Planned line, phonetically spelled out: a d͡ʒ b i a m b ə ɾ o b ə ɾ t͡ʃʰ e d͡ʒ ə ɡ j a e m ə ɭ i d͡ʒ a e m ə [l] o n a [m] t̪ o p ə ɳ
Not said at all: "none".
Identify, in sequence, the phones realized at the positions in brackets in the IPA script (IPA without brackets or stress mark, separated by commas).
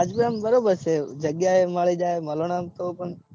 l, m